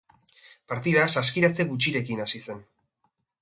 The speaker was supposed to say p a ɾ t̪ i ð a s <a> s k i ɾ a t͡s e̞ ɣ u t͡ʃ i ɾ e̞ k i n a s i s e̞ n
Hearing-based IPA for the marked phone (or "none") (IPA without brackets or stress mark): a